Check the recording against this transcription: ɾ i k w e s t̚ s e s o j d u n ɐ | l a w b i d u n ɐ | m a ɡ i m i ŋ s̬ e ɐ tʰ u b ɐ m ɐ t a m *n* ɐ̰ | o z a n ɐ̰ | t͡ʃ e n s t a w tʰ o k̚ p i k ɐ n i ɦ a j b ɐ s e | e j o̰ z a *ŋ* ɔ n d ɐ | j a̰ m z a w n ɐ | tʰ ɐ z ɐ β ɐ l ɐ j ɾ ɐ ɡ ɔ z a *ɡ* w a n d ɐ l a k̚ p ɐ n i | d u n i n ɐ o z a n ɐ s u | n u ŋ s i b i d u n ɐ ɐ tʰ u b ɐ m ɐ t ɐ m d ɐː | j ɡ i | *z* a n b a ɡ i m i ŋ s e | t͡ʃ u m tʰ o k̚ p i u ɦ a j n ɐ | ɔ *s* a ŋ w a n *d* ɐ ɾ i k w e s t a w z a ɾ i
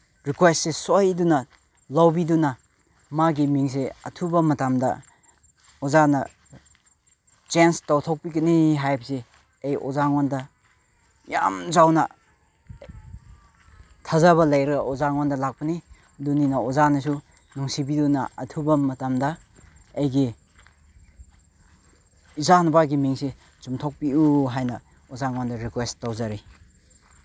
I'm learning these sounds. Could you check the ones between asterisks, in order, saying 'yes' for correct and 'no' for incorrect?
no, yes, no, yes, no, yes

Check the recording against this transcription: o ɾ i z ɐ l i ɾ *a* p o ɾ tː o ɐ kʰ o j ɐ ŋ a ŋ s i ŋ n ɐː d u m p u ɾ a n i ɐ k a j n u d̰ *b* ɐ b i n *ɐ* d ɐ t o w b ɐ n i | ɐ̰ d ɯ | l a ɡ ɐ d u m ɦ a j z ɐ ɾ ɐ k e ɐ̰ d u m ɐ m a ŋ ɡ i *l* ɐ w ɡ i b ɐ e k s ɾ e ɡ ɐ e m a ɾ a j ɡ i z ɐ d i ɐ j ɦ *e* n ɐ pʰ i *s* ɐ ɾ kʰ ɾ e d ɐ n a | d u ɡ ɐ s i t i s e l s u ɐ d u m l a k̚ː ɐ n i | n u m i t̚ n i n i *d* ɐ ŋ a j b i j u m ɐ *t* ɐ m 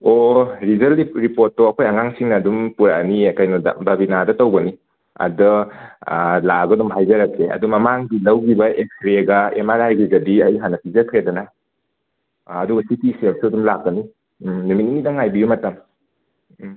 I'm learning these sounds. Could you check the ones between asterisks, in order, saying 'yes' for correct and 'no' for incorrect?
no, yes, no, yes, no, no, yes, yes

